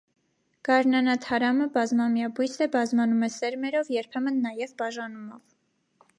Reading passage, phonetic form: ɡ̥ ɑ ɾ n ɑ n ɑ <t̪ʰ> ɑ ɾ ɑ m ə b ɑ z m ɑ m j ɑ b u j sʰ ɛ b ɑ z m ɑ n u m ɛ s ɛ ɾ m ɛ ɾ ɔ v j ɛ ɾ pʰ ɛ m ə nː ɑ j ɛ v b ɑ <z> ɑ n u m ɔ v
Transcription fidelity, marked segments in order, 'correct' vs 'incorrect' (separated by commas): correct, incorrect